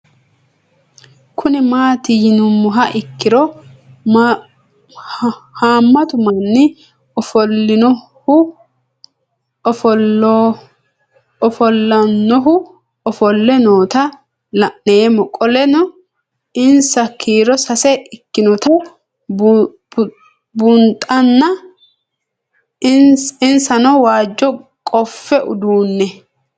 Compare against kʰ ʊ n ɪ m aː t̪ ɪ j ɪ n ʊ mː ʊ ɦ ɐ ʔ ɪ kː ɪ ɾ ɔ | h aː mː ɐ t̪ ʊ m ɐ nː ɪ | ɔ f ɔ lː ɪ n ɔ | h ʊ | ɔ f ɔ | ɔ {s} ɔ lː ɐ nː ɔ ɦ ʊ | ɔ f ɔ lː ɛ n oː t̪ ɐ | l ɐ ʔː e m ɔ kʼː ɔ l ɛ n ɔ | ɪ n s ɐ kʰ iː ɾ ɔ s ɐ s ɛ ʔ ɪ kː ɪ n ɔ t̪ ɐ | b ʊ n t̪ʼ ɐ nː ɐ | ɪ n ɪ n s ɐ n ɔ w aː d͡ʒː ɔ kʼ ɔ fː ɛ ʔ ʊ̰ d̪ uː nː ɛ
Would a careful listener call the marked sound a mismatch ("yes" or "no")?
yes